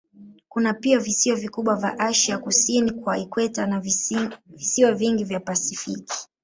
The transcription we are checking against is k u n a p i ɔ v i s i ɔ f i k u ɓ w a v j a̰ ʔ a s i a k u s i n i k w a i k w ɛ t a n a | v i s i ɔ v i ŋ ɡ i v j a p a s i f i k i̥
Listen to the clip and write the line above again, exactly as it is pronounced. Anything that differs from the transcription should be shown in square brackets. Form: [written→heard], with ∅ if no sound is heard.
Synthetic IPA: k u n a p i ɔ v i s i ɔ [f→v] i k u ɓ w a v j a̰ ʔ a [s→ʃ] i a k u s i n i k w a i k w ɛ t a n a | v i s i ɔ v i ŋ ɡ i v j a p a s i f i k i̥